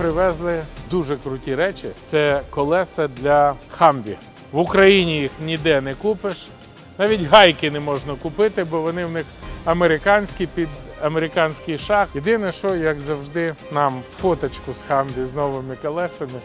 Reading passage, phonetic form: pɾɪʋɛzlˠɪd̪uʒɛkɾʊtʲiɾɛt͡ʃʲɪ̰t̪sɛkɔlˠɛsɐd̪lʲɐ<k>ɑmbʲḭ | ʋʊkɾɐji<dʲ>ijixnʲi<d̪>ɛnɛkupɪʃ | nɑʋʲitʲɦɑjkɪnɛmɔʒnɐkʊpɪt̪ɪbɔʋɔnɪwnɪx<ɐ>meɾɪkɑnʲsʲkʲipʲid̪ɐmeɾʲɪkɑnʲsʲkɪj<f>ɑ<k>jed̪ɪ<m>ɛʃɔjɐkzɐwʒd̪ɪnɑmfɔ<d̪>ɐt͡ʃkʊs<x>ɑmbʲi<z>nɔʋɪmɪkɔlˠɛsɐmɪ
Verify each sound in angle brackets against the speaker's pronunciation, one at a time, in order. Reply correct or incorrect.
incorrect, incorrect, correct, correct, incorrect, incorrect, incorrect, incorrect, correct, correct

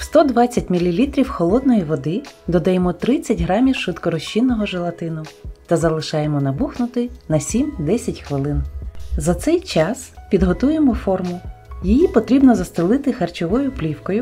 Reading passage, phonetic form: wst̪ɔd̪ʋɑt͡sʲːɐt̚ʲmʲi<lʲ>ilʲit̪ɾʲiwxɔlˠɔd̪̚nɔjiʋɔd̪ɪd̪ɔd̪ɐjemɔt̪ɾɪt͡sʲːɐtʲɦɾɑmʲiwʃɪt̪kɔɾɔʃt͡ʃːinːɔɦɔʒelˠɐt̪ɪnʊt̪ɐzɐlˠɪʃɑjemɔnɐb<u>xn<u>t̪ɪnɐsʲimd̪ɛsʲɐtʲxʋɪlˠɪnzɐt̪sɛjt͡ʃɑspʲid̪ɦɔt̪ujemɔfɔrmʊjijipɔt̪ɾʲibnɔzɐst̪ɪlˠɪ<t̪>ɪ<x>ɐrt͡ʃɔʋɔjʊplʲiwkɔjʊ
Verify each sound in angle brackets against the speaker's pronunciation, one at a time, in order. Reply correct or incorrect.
correct, correct, incorrect, correct, correct

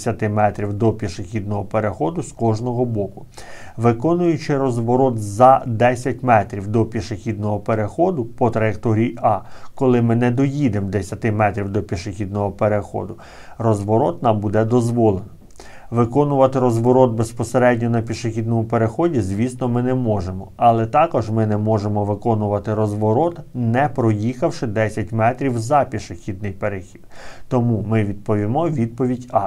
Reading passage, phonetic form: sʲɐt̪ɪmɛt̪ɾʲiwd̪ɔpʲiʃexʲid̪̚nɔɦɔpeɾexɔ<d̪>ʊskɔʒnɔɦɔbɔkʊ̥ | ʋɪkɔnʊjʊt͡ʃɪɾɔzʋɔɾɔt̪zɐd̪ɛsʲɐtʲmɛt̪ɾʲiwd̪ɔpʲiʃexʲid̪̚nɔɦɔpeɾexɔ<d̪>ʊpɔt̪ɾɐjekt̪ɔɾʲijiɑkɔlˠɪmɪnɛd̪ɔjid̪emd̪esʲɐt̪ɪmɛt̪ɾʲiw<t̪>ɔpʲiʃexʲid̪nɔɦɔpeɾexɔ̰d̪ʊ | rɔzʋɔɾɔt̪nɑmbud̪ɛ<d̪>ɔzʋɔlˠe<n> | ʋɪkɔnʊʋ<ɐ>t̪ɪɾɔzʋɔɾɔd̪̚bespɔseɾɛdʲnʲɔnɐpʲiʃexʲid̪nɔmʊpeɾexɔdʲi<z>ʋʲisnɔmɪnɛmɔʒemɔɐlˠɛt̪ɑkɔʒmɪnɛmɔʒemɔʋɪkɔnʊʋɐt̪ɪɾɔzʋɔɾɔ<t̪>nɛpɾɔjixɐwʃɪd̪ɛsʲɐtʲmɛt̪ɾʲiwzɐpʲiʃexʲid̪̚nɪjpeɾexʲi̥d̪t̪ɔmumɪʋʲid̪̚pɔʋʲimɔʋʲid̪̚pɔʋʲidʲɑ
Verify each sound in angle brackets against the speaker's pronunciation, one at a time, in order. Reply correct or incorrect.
correct, correct, incorrect, correct, correct, correct, correct, correct

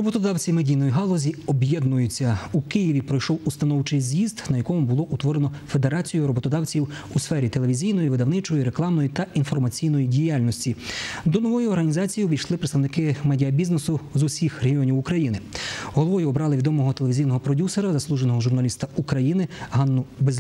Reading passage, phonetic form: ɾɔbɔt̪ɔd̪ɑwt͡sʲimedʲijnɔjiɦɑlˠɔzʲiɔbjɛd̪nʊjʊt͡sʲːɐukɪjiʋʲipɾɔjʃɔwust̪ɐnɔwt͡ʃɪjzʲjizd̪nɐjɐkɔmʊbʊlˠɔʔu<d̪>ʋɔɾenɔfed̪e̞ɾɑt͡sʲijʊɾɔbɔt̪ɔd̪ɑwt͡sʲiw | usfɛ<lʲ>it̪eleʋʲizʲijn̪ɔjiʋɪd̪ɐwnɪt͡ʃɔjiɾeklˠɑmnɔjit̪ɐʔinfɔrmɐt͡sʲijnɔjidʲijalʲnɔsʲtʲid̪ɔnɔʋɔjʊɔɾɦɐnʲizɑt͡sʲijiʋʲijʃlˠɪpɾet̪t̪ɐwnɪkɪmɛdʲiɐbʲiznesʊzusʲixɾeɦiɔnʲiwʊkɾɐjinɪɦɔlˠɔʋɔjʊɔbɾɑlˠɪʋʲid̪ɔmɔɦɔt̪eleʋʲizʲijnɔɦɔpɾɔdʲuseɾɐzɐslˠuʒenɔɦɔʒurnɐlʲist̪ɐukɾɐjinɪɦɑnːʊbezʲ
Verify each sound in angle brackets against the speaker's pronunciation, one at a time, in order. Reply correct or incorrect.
incorrect, incorrect

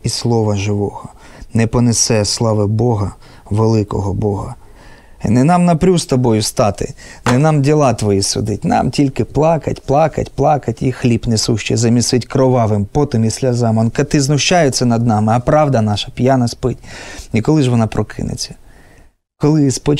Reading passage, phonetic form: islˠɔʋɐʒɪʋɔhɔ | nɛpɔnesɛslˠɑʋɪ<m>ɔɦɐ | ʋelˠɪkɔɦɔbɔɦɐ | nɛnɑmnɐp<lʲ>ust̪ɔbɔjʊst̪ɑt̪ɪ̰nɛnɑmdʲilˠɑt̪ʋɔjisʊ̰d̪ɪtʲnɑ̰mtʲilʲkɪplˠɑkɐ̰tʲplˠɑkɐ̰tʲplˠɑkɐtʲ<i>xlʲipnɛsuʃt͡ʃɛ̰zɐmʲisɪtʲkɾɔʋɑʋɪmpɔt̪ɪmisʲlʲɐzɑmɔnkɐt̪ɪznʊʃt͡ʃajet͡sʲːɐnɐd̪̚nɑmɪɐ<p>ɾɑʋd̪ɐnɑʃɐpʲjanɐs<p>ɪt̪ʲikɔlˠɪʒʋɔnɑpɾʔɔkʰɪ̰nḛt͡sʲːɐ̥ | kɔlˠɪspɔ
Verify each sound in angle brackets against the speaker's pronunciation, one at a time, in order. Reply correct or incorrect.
incorrect, incorrect, correct, correct, correct

